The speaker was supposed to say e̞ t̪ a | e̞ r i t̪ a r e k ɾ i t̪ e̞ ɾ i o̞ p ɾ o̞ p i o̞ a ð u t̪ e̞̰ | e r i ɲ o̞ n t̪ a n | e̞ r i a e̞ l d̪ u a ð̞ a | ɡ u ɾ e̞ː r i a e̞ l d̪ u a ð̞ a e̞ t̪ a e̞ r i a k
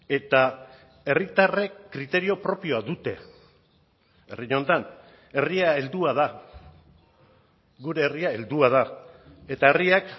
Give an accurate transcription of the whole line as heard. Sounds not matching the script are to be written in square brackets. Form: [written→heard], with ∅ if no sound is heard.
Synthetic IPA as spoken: e̞ t̪ a | e̞ r i t̪ a r e k ɾ i t̪ e̞ ɾ i o̞ p ɾ o̞ p i o̞ a ð u t̪ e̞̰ | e r i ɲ o̞ n t̪ a n | e̞ r i a e̞ l d̪ u a ð̞ a | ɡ u ɾ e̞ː r i a e̞ l d̪ u a ð̞ a e̞ t̪ a e̞ r i a k